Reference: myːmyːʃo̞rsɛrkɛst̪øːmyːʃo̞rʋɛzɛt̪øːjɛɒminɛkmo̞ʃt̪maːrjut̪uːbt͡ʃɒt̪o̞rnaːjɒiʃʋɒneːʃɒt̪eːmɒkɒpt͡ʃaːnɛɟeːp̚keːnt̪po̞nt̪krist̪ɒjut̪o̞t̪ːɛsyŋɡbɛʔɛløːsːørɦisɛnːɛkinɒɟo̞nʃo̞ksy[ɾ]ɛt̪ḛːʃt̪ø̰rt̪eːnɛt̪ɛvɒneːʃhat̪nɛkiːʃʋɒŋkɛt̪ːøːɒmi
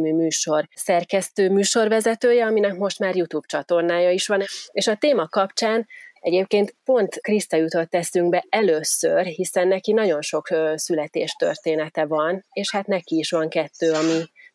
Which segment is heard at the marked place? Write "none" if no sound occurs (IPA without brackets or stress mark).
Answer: l